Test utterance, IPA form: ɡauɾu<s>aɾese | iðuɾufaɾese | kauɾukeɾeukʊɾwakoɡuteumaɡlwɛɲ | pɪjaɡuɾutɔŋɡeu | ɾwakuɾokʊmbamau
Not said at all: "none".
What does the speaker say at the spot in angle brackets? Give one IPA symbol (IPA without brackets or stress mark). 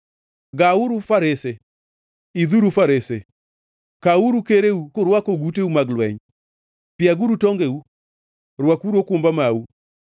f